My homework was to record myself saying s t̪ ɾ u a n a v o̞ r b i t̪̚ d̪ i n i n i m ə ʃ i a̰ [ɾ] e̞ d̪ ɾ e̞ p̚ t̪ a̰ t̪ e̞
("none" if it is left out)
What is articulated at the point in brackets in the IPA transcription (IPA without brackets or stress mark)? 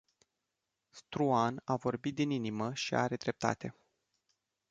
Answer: ɾ